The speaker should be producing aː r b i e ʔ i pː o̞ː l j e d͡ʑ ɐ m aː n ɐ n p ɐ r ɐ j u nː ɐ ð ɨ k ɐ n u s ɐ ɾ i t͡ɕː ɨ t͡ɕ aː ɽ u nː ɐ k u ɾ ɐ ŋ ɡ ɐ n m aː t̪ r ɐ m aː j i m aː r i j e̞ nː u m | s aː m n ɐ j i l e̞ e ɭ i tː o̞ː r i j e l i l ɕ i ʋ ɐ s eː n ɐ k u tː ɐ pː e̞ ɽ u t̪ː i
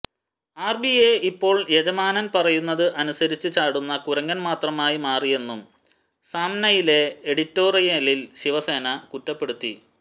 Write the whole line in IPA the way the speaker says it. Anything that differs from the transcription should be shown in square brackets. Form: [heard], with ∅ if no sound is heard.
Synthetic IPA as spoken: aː r b i e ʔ i pː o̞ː [ɭ] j e d͡ʑ ɐ m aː n ɐ n p ɐ r ɐ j u nː ɐ ð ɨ [ʔ] ɐ n u s ɐ ɾ i t͡ɕː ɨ t͡ɕ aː ɽ u nː ɐ k u ɾ ɐ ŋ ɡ ɐ n m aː t̪ r ɐ m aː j i m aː r i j e̞ nː u m | s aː m n ɐ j i l e̞ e [ɽ] i tː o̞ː r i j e l i l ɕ i ʋ ɐ s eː n ɐ k u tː ɐ pː e̞ ɽ u t̪ː i